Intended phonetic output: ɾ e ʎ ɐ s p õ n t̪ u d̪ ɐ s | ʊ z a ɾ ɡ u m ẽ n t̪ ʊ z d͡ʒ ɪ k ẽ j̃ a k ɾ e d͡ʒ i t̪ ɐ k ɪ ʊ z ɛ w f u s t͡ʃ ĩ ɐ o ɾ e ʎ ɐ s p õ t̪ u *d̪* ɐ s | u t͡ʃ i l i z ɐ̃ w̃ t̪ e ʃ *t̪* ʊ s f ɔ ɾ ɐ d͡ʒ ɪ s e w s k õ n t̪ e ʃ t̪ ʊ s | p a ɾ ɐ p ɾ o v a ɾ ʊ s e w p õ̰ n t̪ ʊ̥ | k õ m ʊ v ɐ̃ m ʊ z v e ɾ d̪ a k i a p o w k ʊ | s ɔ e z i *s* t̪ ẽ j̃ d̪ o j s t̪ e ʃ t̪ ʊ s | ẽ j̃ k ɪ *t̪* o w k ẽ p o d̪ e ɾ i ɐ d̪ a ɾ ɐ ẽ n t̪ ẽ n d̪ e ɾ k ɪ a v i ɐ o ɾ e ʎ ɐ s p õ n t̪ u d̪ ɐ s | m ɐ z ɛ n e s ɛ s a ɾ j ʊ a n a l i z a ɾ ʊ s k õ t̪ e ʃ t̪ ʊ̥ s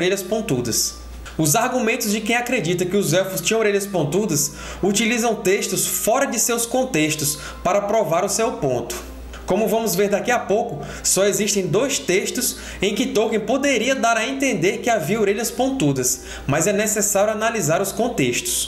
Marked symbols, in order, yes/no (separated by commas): yes, yes, no, yes